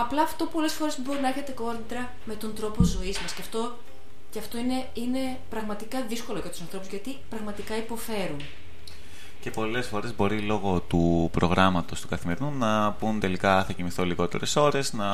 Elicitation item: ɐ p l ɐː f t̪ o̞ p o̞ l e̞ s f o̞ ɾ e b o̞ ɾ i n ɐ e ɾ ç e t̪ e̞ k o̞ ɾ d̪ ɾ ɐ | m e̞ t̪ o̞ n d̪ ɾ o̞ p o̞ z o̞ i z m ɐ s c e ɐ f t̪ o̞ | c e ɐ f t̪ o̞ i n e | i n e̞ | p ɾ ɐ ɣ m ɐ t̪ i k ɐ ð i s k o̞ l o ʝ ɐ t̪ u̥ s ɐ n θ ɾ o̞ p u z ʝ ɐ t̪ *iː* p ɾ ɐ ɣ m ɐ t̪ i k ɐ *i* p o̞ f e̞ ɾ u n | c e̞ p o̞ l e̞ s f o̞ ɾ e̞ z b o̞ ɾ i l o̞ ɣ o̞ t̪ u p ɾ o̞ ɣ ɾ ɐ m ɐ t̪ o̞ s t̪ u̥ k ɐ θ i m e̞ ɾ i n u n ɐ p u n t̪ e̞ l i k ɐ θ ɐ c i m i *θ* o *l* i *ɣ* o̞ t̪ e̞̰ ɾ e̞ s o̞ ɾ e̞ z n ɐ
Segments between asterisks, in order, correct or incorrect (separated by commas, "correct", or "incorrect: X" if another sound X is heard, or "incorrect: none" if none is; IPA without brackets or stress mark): incorrect: i, correct, correct, correct, correct